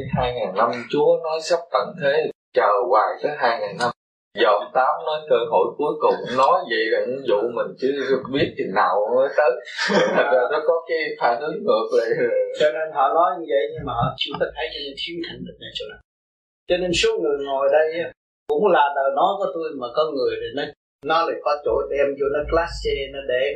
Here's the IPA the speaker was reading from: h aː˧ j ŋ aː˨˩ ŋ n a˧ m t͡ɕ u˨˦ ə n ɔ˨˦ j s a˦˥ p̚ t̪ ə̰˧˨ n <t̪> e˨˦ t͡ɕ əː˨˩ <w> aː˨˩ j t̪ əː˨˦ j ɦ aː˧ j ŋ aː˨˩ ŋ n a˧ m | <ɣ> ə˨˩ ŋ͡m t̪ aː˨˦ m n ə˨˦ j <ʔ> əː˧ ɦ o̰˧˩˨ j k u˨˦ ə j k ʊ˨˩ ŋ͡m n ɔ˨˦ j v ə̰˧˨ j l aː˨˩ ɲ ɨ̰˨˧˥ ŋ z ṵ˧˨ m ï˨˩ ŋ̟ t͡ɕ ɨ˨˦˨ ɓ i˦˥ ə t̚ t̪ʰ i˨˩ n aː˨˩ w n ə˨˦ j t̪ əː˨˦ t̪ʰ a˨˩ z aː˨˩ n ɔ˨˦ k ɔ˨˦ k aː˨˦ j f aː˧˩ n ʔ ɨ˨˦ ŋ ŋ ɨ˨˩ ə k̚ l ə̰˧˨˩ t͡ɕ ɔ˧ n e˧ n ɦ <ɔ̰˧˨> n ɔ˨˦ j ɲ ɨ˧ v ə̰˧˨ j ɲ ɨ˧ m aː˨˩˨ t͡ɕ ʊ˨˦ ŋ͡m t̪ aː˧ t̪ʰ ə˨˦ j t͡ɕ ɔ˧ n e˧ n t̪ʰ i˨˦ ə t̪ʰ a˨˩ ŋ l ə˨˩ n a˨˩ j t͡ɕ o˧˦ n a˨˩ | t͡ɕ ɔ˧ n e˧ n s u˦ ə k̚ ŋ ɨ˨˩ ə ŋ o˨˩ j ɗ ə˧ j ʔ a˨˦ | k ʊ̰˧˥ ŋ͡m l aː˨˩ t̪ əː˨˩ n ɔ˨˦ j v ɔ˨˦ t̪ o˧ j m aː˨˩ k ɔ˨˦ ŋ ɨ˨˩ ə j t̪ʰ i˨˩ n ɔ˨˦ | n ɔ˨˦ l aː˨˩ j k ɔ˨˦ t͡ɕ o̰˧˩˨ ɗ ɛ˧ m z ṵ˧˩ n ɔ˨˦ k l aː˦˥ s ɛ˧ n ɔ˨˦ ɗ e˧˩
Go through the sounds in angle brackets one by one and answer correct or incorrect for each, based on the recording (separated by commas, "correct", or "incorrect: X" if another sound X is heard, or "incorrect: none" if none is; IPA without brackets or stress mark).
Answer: incorrect: t̪ʰ, correct, incorrect: z, incorrect: k, correct